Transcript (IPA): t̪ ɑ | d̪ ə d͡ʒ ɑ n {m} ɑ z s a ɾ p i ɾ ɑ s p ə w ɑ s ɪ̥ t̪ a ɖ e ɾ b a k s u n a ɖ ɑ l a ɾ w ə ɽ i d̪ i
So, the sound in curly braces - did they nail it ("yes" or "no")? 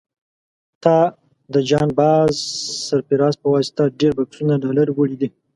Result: no